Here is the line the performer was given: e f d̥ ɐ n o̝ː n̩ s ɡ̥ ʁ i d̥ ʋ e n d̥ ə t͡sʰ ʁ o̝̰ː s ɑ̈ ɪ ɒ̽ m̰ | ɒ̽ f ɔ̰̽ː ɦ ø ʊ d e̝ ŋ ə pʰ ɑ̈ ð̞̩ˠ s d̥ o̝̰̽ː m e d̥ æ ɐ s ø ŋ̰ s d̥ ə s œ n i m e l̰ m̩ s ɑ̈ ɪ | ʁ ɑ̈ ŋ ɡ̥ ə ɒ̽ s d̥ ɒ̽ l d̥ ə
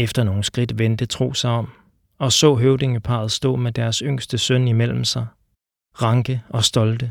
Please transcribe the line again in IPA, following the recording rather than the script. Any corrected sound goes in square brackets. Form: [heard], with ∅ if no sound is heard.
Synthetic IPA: e f d̥ ɐ n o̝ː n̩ s ɡ̥ ʁ i d̥ ʋ e n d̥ ə t͡sʰ ʁ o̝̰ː s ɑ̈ ɪ ɒ̽ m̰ | ɒ̽ [s] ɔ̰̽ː ɦ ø ʊ d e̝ ŋ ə pʰ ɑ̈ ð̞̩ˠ s d̥ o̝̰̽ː m e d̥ æ ɐ s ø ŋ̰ s d̥ ə s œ n i m e l̰ m̩ s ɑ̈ ɪ | ʁ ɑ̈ ŋ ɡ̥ ə ɒ̽ s d̥ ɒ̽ l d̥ ə